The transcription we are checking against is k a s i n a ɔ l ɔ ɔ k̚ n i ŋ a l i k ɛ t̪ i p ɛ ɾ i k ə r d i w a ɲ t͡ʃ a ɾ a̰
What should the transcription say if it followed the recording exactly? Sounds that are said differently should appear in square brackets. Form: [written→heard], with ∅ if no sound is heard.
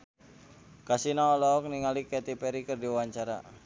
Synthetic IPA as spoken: k a s i n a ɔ l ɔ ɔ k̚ n i ŋ a l i k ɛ t̪ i p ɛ ɾ i k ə r d i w a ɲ t͡ʃ a ɾ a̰